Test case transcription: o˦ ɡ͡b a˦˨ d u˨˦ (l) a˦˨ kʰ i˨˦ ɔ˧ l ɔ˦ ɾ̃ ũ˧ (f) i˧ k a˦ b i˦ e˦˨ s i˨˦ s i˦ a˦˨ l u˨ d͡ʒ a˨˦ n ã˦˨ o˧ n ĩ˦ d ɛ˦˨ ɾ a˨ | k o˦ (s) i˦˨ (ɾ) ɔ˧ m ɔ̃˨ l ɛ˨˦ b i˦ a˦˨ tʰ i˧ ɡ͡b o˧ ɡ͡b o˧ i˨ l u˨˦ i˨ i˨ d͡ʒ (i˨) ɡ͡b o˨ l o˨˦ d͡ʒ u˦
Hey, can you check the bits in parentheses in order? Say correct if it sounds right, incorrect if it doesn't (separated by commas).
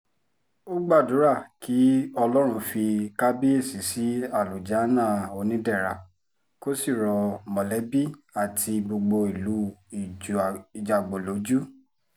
incorrect, correct, correct, correct, incorrect